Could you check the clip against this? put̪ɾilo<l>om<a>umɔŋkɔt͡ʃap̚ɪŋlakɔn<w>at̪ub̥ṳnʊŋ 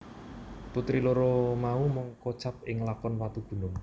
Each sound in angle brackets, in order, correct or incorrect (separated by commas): incorrect, correct, correct